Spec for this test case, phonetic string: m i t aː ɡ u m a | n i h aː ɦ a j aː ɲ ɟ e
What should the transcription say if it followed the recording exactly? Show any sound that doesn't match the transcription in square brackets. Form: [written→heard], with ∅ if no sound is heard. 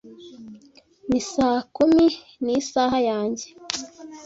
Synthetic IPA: m i [t→s] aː [ɡ→k] u m [a→i] | n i [h→s] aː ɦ a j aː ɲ ɟ e